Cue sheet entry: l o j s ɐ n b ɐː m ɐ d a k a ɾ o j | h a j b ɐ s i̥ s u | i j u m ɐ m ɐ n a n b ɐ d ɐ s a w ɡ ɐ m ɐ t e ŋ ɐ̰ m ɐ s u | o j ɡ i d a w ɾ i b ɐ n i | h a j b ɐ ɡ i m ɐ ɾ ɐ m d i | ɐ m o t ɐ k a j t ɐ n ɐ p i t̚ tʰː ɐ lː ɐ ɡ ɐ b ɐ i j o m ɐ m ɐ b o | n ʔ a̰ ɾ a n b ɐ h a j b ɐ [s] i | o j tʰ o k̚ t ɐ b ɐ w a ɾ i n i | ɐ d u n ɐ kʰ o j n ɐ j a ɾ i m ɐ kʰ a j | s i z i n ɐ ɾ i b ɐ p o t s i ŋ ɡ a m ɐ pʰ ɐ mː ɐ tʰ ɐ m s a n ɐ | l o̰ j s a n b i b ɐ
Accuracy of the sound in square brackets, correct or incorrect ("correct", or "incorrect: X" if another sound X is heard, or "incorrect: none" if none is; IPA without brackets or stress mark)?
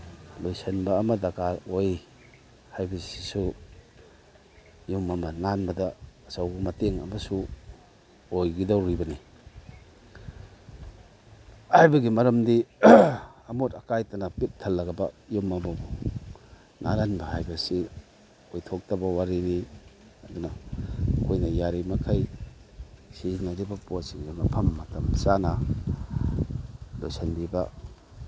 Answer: correct